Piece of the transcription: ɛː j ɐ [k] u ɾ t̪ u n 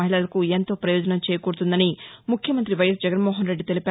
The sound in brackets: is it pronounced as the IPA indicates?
yes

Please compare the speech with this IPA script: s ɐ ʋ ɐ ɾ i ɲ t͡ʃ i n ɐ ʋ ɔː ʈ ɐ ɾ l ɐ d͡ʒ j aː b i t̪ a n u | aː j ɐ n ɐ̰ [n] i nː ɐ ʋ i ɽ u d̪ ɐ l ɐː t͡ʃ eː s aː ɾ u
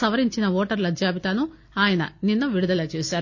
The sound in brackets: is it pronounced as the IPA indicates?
yes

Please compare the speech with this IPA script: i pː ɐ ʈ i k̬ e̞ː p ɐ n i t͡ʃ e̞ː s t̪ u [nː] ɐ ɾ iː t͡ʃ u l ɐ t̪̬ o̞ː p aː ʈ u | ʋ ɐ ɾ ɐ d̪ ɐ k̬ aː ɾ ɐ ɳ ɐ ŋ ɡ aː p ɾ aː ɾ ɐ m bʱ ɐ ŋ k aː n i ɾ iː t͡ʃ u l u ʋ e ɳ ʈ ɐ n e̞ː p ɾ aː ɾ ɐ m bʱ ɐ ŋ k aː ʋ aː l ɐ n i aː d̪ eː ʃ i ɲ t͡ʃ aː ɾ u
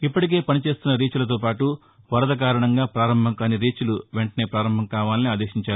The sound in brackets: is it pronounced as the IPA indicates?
yes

